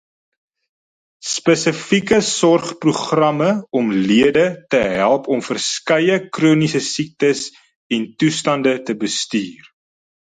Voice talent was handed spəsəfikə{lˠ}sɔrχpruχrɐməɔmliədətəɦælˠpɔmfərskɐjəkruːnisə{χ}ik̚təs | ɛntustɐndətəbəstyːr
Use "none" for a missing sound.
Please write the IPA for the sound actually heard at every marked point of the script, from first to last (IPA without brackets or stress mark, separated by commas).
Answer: none, s